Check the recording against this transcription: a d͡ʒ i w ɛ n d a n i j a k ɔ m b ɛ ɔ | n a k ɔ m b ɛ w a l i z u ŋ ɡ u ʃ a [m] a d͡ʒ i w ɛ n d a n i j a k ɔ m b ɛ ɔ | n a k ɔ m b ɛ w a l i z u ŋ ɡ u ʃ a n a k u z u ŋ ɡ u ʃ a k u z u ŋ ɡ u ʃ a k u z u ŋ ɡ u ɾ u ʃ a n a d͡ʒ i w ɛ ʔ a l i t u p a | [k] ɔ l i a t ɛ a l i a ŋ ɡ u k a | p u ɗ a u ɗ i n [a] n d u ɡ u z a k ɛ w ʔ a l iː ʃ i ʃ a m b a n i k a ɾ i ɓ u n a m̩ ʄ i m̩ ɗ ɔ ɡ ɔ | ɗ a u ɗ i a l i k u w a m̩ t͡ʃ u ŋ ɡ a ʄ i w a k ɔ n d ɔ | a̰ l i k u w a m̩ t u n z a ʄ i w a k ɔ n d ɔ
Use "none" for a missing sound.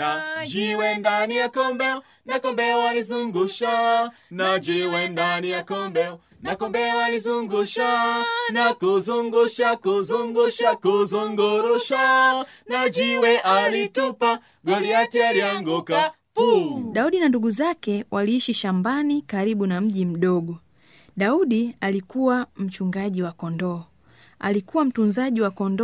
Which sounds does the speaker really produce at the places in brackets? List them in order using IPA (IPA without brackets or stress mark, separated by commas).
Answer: n, ɡ, a